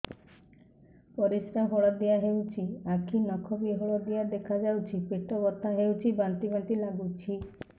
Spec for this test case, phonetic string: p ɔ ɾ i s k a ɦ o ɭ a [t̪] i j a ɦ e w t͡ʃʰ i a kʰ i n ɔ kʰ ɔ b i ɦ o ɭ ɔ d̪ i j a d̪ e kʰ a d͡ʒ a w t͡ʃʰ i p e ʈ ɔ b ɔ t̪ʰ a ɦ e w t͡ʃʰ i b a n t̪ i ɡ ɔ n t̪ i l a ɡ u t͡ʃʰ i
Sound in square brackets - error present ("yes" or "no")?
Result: yes